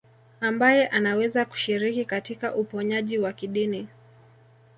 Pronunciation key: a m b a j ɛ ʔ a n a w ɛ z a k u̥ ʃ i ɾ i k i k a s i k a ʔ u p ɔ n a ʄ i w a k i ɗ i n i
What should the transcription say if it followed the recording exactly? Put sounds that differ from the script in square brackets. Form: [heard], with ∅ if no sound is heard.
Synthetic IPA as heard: a m b a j ɛ ʔ a n a w ɛ z a k u̥ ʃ i ɾ i k i k a [t] i k a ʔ u p ɔ [ɲ] a ʄ i w a k i ɗ i n i

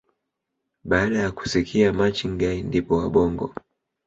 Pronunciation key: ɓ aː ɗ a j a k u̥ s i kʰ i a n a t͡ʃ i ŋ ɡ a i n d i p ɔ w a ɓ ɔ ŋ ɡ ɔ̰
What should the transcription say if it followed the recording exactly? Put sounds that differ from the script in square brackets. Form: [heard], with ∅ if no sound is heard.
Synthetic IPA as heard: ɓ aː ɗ a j a k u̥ s i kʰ i a [m] a t͡ʃ i ŋ ɡ a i n d i p ɔ w a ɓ ɔ ŋ ɡ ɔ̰

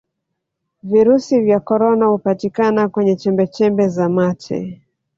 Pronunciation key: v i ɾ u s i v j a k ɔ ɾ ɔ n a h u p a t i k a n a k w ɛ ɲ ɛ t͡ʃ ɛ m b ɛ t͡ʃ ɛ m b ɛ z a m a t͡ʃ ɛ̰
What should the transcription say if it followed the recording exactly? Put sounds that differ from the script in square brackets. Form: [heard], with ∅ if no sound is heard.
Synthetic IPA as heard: v i ɾ u s i v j a k ɔ ɾ ɔ n a h u p a t i k a n a k w ɛ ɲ ɛ t͡ʃ ɛ m b ɛ t͡ʃ ɛ m b ɛ z a m a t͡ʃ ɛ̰

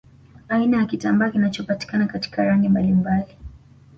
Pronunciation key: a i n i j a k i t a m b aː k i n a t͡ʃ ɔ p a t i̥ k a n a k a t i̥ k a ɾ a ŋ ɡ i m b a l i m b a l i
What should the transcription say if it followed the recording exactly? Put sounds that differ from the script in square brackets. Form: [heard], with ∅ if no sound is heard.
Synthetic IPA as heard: a i n [a] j a k i t a m b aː k i n a t͡ʃ ɔ p a t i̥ k a n a k a t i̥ k a ɾ a ŋ ɡ i m b a l i m b a l i

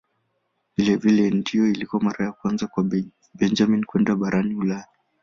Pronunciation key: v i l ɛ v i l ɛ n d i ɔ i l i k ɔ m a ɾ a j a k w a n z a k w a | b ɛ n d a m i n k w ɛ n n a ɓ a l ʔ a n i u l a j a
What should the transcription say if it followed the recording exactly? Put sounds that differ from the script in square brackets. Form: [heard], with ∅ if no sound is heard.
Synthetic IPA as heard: v i l ɛ v i l ɛ n d i ɔ i l i k ɔ m a ɾ a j a k w a n z a k w a | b ɛ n [d͡ʒ] a m i n k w ɛ n [d] a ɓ a [ɾ] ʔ a n i u l a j a

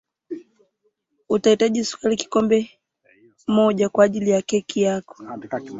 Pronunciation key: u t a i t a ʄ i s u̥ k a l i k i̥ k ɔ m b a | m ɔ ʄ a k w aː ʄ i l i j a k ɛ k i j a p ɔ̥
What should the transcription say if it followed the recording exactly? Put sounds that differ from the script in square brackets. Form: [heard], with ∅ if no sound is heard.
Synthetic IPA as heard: u t a i t a ʄ i s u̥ k a l i k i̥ k ɔ m b [ɛ] | m ɔ ʄ a k w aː ʄ i l i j a k ɛ k i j a [k] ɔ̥

